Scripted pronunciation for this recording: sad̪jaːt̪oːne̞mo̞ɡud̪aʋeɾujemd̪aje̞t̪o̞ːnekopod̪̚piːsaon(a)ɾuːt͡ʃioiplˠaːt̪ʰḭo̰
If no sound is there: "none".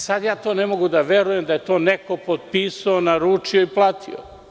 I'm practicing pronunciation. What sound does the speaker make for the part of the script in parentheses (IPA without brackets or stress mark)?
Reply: a